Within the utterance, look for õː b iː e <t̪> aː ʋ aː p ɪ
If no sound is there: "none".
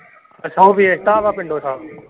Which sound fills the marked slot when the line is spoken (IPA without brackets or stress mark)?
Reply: t̪